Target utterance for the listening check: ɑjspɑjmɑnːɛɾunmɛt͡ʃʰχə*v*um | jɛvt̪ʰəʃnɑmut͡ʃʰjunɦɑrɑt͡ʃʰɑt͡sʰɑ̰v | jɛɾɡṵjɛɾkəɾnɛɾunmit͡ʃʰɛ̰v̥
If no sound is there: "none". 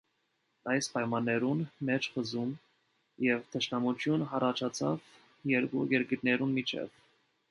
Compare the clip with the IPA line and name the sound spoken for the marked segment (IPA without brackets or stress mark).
z